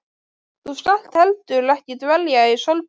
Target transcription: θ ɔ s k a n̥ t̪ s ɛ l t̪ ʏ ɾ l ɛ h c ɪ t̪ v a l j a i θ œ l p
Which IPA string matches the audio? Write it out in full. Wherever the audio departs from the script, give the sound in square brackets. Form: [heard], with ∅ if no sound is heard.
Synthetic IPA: θ [u] s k a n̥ t̪ [h] ɛ l t̪ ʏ ɾ l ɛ h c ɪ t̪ v [ɛ] l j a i [s] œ l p